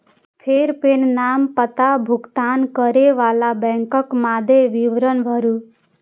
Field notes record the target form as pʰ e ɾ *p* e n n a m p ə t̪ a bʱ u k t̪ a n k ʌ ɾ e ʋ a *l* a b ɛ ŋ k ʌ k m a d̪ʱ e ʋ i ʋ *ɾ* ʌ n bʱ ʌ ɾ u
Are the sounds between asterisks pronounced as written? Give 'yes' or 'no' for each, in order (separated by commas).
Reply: yes, yes, yes